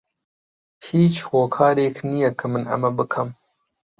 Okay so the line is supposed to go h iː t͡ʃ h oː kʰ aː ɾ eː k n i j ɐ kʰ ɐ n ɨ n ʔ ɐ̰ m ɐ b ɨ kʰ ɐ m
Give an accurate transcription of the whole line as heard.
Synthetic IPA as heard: h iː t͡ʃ h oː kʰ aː ɾ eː k n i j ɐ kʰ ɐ m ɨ n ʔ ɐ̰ m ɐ b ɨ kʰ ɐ m